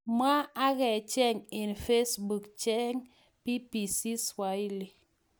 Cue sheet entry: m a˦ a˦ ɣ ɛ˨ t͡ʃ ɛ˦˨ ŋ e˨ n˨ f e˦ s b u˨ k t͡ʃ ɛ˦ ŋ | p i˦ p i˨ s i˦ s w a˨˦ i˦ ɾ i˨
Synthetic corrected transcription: m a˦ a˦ ɣ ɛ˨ t͡ʃ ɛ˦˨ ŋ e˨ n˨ f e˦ s b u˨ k t͡ʃ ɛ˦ ŋ | p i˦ p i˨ s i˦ s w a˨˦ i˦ l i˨

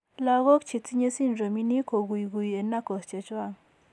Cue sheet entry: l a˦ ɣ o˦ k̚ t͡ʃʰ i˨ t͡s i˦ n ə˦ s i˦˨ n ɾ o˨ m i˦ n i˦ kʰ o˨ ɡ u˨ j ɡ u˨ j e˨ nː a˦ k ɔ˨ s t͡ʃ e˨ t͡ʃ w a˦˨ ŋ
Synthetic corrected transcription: l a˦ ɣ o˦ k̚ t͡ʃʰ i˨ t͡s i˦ ɲ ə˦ s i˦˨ n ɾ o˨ m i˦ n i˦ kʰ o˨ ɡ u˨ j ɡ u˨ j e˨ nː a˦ k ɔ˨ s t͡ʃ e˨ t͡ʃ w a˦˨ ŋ

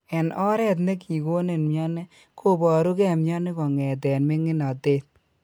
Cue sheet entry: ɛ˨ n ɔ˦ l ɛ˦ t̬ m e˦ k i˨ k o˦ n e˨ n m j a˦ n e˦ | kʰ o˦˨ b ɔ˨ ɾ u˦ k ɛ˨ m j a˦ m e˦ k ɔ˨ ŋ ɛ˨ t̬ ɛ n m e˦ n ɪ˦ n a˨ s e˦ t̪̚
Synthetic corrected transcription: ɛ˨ n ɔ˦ ɾ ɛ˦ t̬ n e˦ k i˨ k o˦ n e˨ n m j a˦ n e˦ | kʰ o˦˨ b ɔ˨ ɾ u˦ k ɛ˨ m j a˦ n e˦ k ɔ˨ ŋ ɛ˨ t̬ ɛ n m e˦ ŋ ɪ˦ n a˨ t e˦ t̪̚

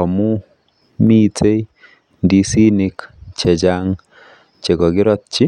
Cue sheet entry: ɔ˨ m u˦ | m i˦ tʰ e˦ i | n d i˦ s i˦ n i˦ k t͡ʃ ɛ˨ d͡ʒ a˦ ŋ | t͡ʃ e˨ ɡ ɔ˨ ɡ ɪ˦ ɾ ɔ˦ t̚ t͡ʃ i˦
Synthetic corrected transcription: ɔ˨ m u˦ | m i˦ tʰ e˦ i | n d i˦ s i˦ n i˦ k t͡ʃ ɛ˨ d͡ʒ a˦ ŋ | t͡ʃ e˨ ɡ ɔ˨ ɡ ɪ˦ ɾ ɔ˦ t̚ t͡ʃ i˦

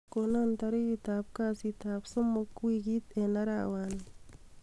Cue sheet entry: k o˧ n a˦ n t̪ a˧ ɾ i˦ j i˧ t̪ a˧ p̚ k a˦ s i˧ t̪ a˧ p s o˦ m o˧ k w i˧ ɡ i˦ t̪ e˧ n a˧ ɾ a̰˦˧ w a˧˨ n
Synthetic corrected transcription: k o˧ n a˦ n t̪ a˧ ɾ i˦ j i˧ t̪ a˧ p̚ k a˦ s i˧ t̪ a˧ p s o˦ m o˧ k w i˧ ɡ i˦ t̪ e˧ n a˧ ɾ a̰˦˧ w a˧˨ n

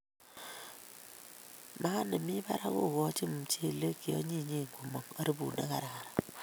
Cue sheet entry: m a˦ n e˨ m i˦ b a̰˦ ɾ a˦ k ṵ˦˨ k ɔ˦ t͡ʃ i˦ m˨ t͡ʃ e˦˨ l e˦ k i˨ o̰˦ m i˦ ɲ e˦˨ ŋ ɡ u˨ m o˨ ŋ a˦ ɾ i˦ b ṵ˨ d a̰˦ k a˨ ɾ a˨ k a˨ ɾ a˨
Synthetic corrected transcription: m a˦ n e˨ m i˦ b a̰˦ ɾ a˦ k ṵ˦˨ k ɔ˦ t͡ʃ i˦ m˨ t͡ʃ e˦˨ l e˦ k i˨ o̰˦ ɲ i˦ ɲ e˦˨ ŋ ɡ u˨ m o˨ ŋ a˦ ɾ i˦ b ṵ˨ n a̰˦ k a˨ ɾ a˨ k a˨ ɾ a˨

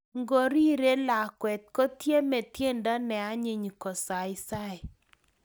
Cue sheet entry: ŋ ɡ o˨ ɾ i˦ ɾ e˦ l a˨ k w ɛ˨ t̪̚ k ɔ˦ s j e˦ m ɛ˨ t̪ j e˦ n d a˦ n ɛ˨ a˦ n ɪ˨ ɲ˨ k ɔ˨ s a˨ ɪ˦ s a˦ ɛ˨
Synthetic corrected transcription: ŋ ɡ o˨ ɾ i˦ ɾ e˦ l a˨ k w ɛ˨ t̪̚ k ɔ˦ t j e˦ m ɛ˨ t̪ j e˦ n d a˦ n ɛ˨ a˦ ɲ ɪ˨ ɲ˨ k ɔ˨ s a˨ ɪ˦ s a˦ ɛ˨

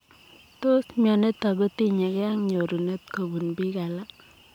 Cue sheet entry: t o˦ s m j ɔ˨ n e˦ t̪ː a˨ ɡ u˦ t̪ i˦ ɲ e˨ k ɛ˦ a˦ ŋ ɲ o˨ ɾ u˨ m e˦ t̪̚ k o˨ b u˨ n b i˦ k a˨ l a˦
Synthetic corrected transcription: t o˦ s m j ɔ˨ n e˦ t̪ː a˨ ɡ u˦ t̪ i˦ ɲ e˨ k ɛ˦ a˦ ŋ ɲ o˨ ɾ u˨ n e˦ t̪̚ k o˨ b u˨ n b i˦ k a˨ l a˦

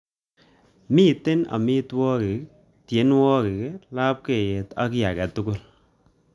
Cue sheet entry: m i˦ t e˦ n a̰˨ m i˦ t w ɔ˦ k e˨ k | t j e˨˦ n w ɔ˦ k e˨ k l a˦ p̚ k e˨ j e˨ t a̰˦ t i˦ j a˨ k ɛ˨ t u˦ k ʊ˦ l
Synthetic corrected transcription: m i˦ t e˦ n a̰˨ m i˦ t w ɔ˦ k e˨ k | t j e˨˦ n w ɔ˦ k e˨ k l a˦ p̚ k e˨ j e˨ t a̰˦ k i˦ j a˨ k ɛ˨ t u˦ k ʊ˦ l

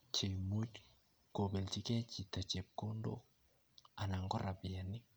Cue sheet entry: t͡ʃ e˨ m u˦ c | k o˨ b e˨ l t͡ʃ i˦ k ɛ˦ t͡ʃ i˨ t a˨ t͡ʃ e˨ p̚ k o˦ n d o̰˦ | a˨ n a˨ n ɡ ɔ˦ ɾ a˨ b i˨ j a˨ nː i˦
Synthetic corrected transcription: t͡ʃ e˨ m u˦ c | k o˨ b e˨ l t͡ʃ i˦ k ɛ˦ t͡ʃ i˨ t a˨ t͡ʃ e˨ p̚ k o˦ n d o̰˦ | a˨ n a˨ ŋ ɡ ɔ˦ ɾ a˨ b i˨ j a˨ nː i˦

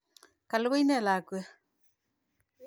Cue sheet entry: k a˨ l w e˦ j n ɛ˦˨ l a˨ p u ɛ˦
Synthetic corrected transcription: k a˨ l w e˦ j n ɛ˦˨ l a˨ k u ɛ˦

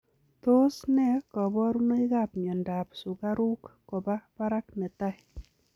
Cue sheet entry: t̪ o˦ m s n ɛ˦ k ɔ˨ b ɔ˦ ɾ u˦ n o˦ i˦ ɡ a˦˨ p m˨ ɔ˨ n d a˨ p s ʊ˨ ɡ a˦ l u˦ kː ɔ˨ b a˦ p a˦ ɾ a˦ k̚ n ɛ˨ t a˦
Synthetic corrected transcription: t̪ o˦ s n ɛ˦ k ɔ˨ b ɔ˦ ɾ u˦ n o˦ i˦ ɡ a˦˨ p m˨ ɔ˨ n d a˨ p s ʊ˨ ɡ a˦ ɾ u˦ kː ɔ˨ b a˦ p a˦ ɾ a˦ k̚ n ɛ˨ t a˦

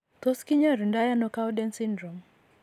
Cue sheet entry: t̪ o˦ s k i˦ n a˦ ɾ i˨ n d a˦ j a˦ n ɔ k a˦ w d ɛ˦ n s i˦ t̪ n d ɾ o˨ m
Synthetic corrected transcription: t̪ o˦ s k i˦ ɲ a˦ ɾ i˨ n d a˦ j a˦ n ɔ k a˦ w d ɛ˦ n s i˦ n d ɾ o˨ m

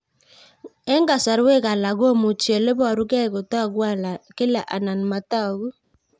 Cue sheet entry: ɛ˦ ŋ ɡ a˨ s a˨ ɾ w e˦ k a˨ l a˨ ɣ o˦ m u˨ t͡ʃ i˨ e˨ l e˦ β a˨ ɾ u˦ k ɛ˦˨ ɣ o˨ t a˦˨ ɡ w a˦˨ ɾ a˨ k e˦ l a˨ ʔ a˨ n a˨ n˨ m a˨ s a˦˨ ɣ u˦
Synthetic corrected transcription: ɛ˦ ŋ ɡ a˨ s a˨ ɾ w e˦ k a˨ l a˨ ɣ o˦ m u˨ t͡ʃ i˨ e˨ l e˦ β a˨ ɾ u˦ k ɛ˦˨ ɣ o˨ t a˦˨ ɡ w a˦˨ l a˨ k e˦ l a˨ ʔ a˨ n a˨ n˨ m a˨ t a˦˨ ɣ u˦

